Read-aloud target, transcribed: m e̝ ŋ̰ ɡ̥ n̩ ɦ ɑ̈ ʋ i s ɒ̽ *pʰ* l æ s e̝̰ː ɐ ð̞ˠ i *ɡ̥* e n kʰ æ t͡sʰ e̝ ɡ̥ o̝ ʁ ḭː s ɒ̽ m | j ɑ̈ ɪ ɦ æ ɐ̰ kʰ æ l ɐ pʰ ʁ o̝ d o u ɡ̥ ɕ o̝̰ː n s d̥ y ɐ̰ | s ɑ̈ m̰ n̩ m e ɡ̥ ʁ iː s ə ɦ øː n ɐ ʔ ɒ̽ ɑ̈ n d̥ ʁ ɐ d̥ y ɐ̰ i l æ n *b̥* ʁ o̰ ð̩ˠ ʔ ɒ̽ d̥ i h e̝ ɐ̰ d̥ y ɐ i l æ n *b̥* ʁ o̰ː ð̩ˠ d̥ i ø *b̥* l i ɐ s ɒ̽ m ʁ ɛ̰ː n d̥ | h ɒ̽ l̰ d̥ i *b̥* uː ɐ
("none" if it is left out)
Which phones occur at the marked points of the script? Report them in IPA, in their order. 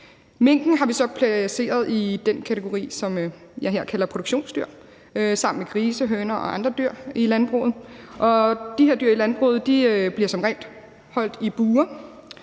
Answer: pʰ, d̥, b̥, b̥, b̥, b̥

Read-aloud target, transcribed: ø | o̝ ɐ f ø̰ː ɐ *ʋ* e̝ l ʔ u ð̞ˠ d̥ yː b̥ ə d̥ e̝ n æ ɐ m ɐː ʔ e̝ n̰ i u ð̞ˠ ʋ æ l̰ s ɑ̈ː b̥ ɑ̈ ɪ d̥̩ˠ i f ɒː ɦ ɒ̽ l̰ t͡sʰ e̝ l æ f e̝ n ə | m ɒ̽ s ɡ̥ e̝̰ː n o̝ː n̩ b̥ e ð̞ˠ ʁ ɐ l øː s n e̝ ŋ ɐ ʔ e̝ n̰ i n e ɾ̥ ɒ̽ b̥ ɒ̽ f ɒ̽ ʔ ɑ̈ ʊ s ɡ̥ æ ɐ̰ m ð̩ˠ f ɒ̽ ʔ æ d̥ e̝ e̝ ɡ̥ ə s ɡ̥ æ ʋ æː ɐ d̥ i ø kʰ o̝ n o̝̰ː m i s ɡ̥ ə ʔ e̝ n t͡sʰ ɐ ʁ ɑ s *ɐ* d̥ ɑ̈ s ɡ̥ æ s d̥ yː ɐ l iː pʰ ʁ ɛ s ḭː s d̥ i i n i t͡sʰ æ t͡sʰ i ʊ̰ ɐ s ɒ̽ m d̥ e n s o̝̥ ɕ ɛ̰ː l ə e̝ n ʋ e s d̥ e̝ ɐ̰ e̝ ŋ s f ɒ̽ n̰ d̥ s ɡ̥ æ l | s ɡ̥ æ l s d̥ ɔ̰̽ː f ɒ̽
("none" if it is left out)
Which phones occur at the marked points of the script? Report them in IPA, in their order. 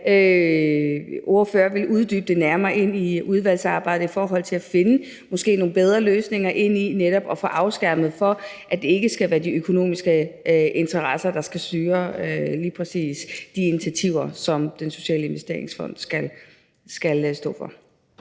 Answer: ʋ, ɐ

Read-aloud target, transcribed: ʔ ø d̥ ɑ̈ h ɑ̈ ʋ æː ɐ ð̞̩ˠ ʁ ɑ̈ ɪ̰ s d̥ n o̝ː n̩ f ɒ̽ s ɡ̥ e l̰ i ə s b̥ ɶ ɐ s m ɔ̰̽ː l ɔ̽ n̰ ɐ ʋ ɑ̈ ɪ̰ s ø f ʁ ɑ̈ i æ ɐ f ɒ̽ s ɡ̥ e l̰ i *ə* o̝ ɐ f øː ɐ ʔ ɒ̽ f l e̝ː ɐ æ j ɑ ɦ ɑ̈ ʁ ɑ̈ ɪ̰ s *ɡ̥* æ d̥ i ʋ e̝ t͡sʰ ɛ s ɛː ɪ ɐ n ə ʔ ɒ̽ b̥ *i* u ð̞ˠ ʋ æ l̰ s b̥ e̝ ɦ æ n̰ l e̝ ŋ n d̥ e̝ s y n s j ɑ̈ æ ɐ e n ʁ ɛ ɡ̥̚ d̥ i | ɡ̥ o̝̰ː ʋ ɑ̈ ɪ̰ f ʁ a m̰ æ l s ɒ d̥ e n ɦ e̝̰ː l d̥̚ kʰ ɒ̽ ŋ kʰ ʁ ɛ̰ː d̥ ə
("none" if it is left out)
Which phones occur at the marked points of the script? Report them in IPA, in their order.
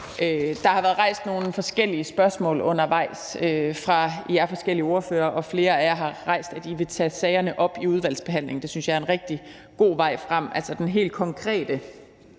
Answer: ə, d̥, i

